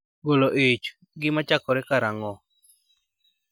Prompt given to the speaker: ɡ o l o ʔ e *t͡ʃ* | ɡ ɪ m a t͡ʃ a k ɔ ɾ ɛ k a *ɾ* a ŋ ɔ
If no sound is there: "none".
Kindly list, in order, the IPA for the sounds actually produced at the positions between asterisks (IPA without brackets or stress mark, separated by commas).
t͡ʃ, ɾ